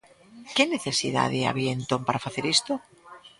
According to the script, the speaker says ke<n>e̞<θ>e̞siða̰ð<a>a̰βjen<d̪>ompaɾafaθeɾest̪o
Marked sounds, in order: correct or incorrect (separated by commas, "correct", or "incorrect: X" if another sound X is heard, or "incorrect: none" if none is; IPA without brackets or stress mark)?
correct, correct, incorrect: e, incorrect: t̪